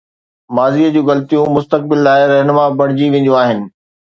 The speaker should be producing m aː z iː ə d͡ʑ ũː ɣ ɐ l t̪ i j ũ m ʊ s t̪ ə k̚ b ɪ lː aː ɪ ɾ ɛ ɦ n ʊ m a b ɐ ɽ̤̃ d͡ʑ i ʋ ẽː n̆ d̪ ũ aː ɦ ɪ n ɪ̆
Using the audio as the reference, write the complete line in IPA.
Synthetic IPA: m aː z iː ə d͡ʑ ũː ɣ ɐ l t̪ i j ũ m ʊ s t̪ ə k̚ b ɪ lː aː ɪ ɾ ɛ ɦ n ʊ m a b ɐ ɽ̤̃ d͡ʑ i ʋ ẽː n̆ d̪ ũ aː ɦ ɪ n ɪ̆